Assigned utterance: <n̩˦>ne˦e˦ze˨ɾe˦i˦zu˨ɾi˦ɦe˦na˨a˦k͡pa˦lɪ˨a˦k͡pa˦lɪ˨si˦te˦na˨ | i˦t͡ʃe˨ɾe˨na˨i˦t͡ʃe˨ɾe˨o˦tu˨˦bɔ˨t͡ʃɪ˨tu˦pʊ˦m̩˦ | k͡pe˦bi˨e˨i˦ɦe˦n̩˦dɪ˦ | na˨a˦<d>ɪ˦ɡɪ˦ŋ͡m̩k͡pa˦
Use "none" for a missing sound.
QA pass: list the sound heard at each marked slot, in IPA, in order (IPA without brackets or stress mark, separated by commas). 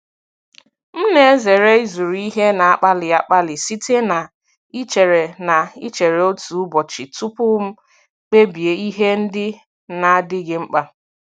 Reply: m̩˦, d